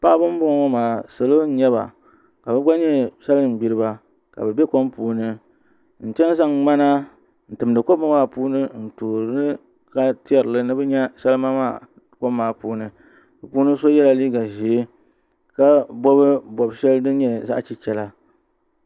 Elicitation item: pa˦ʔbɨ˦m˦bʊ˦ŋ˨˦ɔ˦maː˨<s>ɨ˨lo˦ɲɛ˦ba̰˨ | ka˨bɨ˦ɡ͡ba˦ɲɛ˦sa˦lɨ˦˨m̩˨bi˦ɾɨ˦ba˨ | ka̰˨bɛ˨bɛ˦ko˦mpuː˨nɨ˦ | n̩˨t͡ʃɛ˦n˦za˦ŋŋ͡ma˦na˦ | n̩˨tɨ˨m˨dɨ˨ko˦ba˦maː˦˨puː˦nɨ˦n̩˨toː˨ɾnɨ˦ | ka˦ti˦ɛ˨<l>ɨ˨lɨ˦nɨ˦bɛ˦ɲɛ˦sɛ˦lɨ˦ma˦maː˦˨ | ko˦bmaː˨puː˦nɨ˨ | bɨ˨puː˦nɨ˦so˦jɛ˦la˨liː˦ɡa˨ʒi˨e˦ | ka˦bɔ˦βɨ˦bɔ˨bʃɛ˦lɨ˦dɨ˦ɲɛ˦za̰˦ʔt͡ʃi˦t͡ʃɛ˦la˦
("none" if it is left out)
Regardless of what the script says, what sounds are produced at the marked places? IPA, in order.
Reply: s, ɾ

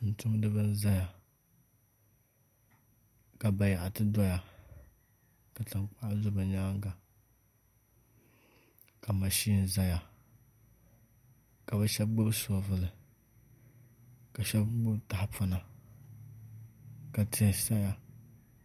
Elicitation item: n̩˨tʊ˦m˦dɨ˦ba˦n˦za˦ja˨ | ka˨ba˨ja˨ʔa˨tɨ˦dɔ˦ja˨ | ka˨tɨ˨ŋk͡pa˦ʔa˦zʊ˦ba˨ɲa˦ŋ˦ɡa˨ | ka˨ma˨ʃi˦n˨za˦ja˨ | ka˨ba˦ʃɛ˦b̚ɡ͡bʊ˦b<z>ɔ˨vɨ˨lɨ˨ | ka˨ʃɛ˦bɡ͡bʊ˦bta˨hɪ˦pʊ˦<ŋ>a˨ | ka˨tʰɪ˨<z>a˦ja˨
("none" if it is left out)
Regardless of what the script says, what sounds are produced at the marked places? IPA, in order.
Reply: s, n, s

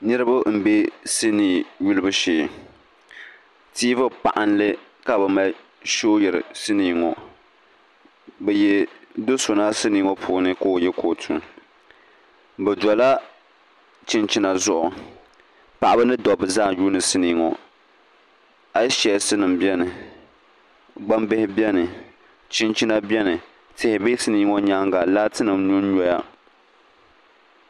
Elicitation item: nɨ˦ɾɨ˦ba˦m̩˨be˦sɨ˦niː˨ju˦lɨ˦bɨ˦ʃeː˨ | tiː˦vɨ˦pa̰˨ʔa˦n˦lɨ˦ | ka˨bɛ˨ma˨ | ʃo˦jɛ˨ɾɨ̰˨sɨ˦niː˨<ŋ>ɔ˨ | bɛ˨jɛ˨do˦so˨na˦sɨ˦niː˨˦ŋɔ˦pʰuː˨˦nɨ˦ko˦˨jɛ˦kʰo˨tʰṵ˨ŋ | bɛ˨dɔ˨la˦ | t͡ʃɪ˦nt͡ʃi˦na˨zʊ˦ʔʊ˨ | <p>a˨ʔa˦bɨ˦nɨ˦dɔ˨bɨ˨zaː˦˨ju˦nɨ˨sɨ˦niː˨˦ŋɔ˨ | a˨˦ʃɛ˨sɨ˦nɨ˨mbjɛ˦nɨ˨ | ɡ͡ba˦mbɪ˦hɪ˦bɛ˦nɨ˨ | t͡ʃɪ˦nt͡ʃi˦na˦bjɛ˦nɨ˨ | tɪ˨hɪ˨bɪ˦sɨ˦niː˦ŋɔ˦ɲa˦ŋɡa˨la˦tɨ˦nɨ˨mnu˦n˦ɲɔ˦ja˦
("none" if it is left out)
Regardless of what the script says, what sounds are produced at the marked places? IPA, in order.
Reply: ŋ, p

